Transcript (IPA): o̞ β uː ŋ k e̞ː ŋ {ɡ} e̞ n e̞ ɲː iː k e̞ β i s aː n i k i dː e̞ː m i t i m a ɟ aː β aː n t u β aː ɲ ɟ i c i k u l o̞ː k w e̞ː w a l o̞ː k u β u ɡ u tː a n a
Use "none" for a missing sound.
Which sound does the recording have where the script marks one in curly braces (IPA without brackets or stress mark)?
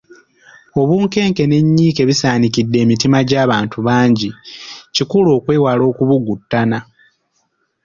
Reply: k